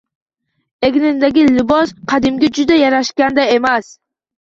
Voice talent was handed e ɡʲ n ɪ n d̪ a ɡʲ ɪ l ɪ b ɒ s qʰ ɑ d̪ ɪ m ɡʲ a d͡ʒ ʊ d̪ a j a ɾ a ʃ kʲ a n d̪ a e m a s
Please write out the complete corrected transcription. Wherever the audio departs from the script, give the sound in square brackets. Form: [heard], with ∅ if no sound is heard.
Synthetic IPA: e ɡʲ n ɪ n d̪ a ɡʲ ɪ l ɪ b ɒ s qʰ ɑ d̪ ɪ m ɡʲ a d͡ʒ ʊ d̪ a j a ɾ a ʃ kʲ a n d̪ a e m a s